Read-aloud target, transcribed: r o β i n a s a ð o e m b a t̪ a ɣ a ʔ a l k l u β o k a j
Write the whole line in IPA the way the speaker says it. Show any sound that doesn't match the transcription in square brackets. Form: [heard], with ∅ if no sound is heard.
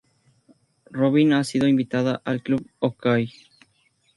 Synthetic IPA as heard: r o β i n a s [i] ð o [i] m b [i] t̪ a [ð] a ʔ a l k l u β o k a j